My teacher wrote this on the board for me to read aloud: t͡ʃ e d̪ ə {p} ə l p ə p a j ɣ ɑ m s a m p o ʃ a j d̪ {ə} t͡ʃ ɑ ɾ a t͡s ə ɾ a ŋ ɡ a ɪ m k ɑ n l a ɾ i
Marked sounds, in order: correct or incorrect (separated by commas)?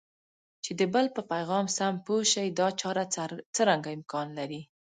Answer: incorrect, incorrect